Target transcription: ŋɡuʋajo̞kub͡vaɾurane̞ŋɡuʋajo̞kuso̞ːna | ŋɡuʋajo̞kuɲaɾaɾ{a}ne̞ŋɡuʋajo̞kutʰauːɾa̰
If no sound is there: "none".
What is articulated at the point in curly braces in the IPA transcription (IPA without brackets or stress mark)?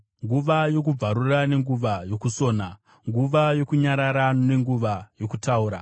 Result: a